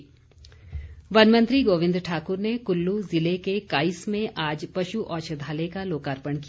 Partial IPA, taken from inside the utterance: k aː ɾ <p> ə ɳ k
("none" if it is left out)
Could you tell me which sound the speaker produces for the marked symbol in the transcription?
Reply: p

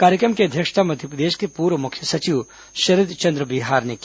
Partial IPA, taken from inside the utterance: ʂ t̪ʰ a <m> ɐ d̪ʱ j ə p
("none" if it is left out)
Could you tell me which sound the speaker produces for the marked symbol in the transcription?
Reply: m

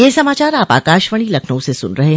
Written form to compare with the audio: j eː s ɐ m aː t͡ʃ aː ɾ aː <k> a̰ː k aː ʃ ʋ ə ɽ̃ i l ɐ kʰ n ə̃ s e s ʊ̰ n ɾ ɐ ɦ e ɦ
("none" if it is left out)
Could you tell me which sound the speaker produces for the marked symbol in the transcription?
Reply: p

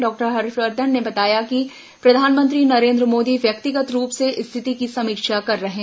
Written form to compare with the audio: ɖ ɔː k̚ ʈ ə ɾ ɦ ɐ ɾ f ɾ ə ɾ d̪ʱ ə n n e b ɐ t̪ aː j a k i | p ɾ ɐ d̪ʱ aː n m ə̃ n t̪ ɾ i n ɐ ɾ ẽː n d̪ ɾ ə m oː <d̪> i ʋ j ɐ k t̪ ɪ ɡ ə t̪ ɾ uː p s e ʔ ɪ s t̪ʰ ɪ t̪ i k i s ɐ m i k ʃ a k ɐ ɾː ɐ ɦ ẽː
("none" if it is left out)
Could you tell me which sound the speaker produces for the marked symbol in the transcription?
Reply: d̪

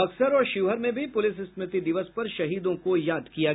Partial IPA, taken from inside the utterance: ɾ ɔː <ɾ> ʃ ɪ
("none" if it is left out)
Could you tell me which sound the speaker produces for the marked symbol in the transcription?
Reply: ɾ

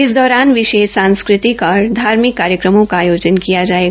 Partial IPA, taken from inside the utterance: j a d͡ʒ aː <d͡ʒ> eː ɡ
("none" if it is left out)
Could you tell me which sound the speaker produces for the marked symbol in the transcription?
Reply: none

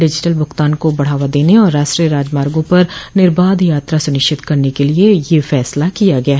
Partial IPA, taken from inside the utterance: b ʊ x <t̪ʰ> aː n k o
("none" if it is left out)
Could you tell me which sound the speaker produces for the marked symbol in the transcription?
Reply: t̪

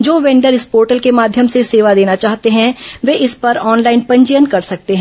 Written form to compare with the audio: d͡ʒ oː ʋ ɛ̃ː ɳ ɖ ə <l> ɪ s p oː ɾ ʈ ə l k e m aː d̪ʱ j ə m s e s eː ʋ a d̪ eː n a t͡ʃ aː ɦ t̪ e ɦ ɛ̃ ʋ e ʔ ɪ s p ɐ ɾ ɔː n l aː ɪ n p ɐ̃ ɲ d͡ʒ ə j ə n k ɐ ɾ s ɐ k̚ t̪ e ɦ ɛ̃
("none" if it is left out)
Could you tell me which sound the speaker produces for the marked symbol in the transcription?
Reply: ɾ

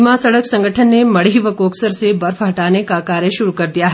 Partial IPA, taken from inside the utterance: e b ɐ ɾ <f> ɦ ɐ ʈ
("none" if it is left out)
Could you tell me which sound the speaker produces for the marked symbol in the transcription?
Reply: f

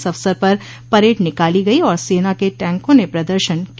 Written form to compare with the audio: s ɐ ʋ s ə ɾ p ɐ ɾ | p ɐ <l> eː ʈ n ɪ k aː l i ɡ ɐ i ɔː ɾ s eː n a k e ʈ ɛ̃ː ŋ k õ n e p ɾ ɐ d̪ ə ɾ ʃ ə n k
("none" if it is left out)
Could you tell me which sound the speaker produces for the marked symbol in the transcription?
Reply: ɾ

